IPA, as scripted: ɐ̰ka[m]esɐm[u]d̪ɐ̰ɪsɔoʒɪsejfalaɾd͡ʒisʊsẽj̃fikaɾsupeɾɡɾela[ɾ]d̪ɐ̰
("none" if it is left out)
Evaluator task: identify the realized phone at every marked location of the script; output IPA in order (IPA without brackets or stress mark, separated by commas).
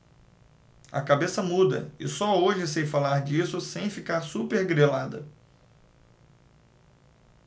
b, u, none